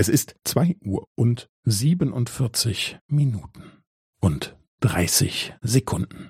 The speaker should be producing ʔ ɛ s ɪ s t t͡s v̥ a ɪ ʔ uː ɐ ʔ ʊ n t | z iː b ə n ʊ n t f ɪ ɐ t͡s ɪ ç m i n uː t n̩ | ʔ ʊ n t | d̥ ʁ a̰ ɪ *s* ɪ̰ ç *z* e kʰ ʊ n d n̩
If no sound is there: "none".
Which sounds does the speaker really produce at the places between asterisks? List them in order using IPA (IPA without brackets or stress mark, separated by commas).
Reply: s, z